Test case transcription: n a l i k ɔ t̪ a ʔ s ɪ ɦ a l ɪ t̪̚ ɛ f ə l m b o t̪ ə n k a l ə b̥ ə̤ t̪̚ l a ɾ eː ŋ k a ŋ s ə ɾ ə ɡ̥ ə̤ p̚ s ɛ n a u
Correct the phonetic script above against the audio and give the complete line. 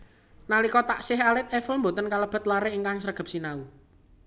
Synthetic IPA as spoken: n a l i k ɔ t̪ a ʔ s ɪ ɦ a l ɪ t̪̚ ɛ f ə l m b o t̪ ə n k a l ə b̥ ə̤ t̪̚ l a ɾ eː ŋ k a ŋ s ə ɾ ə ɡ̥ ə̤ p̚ s i n a u